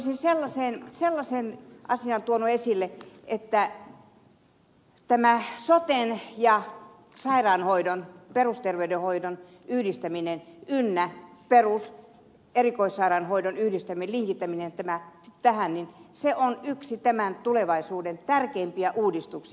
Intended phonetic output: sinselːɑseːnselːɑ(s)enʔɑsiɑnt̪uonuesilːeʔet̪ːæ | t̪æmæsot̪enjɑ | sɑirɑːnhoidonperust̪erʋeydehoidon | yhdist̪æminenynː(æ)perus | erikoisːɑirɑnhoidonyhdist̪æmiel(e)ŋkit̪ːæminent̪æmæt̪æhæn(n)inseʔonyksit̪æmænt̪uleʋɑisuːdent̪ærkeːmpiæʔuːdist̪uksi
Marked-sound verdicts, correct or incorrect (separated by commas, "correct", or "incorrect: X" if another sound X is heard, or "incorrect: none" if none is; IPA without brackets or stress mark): correct, correct, incorrect: i, correct